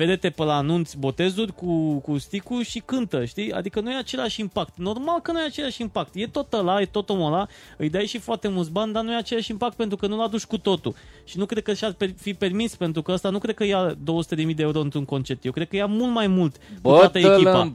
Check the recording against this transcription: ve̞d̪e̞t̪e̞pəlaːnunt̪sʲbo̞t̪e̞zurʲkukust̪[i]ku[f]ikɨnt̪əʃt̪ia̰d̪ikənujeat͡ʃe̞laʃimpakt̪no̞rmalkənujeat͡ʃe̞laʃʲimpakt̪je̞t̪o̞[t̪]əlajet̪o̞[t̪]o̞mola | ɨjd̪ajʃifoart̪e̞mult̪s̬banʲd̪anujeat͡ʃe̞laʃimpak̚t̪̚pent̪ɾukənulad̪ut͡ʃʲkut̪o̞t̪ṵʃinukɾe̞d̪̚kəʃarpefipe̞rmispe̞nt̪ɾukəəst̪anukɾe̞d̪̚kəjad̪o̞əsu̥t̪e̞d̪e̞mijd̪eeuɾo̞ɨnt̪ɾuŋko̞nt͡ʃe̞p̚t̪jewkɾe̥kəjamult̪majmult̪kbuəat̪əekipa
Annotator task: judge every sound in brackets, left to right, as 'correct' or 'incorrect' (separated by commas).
correct, incorrect, correct, correct